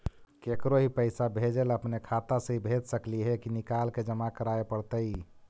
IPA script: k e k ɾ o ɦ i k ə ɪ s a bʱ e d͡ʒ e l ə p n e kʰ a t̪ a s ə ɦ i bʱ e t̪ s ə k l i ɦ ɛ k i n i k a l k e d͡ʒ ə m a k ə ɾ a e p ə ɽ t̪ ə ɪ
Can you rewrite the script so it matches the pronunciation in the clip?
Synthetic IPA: k e k ɾ o ɦ i p ə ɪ s a bʱ e d͡ʒ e l ə p n e kʰ a t̪ a s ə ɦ i bʱ e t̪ s ə k l i ɦ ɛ k i n i k a l k e d͡ʒ ə m a k ə ɾ a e p ə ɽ t̪ ə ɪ